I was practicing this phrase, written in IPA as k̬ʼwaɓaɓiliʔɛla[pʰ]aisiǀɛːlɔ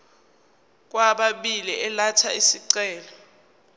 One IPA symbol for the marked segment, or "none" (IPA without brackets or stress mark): tʰ